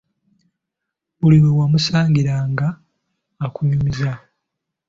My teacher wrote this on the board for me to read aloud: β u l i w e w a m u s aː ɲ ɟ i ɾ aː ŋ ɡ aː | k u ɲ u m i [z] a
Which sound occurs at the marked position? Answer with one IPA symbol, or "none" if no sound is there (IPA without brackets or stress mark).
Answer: z